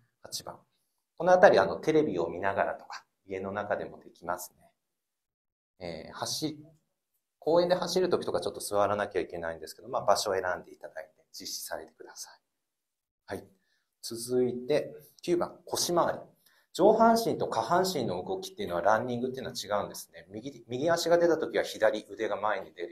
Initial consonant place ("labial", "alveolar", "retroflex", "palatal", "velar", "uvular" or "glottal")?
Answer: glottal